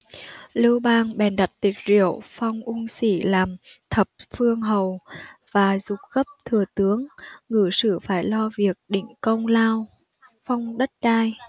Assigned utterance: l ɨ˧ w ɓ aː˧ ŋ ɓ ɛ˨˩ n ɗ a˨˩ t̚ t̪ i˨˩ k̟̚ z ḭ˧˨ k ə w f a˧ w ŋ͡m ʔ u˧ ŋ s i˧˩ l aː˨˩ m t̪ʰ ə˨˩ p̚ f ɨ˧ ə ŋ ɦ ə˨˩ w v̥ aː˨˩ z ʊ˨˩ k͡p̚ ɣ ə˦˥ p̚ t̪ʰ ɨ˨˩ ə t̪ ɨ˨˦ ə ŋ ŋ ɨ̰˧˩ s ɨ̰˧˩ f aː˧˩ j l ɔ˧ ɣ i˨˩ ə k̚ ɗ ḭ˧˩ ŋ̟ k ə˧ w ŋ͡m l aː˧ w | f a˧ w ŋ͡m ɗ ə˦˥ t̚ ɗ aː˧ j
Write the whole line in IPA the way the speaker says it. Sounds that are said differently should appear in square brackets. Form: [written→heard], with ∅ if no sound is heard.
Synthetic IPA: l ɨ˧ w ɓ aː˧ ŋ ɓ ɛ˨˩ n ɗ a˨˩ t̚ t̪ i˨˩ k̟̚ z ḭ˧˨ [k→∅] ə w f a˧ w ŋ͡m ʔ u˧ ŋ s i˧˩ l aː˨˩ m t̪ʰ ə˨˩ p̚ f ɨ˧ ə ŋ ɦ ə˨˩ w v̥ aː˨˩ z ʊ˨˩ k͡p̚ ɣ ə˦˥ p̚ t̪ʰ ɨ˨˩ ə t̪ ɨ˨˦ ə ŋ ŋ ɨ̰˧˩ s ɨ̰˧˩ f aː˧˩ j l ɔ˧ [ɣ→v] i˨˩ ə k̚ ɗ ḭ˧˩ ŋ̟ k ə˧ w ŋ͡m l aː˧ w | f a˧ w ŋ͡m ɗ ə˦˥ t̚ ɗ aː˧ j